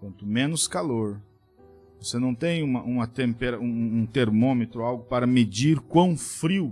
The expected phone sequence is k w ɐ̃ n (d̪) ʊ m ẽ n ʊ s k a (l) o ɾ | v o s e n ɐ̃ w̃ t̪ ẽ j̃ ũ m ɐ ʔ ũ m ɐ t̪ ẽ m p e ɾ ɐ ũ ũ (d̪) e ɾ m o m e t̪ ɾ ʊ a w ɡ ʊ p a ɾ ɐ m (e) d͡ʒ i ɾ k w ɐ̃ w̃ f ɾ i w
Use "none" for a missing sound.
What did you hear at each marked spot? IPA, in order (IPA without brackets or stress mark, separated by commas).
t̪, l, t̪, e